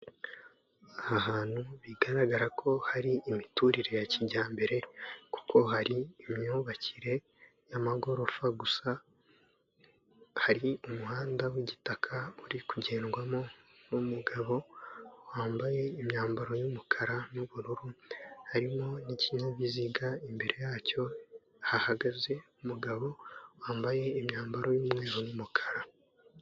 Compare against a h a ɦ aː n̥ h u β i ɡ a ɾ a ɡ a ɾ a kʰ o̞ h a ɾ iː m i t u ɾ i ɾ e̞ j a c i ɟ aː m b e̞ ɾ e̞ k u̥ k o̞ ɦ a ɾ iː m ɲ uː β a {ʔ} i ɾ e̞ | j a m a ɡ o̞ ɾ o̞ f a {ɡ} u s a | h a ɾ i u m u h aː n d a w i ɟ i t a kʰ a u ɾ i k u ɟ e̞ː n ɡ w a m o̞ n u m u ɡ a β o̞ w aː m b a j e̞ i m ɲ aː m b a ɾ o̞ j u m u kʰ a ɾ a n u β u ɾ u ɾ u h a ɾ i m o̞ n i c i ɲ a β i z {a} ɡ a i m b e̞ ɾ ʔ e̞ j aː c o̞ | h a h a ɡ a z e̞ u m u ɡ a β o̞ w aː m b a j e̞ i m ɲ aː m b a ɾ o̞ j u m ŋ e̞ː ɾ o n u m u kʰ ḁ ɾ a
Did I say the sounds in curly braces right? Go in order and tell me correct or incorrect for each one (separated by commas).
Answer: incorrect, correct, incorrect